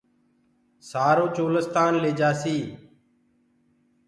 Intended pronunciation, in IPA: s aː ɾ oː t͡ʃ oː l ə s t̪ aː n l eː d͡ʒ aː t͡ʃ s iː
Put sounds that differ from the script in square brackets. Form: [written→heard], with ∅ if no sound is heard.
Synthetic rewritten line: s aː ɾ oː t͡ʃ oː l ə s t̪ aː n l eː d͡ʒ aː [t͡ʃ→∅] s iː